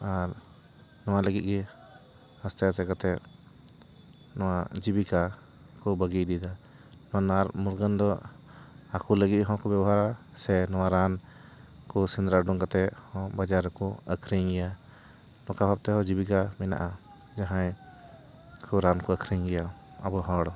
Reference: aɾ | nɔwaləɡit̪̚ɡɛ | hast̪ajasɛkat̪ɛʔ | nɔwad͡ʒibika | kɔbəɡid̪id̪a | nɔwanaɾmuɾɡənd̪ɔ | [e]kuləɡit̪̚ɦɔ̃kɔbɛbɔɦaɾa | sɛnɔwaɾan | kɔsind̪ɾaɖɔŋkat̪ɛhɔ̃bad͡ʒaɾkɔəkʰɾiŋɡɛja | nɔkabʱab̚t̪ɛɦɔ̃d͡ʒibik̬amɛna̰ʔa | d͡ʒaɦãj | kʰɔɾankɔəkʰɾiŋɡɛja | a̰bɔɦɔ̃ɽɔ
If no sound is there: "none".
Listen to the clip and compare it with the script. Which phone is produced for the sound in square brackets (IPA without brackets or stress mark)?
a